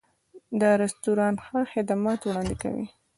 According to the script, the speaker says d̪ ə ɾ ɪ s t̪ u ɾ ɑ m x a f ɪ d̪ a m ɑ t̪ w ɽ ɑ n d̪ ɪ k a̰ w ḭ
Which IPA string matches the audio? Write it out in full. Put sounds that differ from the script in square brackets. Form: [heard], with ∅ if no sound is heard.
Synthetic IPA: d̪ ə ɾ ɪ s t̪ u ɾ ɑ [n] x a [x] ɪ d̪ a m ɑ t̪ w ɽ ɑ n d̪ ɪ k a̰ w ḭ